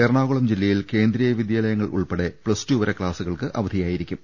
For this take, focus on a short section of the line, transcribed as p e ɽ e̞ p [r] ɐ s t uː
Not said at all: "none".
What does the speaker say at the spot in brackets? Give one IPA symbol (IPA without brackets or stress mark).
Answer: ɭ